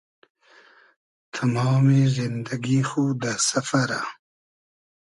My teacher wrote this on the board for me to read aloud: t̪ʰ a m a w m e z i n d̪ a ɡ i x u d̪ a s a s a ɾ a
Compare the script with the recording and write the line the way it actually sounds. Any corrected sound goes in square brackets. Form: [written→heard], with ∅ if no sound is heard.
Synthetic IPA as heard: t̪ʰ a m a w m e z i n d̪ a ɡ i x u d̪ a s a [s→f] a ɾ a

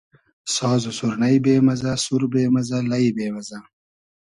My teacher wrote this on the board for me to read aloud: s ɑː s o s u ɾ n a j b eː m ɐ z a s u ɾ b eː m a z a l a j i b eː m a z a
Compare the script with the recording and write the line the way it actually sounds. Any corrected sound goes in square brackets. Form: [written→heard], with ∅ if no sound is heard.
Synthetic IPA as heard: s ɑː [s→z] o s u ɾ n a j b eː m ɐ z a s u ɾ b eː m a z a l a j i b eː m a z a

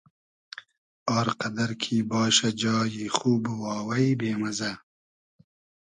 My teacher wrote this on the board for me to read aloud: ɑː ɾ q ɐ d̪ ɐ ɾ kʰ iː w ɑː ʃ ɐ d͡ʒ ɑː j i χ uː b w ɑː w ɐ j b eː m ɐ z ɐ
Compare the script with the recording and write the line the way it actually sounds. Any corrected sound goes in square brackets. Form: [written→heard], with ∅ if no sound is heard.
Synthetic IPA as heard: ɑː ɾ q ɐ d̪ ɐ ɾ kʰ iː [w→b] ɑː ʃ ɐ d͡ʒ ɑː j i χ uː b w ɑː w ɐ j b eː m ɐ z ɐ

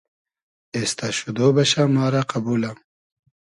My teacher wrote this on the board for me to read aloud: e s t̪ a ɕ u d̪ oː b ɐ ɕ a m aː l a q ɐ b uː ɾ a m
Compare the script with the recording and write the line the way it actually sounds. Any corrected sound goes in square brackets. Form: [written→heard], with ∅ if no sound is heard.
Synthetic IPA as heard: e s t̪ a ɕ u d̪ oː b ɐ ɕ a m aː [l→ɾ] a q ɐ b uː [ɾ→l] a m

